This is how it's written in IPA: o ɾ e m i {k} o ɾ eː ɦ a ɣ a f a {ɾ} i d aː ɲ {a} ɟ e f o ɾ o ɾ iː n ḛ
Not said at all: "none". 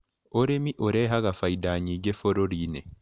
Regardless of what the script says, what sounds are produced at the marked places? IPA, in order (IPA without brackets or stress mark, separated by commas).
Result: ʔ, none, i